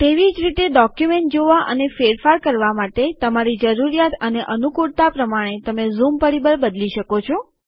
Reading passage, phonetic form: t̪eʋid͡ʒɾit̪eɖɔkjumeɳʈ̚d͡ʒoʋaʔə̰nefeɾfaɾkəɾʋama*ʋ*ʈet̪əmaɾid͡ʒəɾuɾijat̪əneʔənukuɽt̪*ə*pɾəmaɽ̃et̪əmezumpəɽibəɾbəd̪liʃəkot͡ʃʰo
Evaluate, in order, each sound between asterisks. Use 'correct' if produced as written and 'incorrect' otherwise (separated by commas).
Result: incorrect, incorrect